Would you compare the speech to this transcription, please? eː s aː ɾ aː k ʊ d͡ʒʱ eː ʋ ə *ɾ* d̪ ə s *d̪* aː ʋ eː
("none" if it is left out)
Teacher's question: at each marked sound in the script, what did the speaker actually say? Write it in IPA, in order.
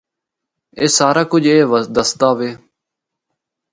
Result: none, t̪

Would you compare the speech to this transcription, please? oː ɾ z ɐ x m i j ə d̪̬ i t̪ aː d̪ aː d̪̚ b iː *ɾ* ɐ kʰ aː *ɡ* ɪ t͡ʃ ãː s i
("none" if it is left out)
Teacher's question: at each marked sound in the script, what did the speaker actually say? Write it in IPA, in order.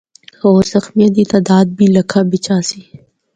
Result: l, b

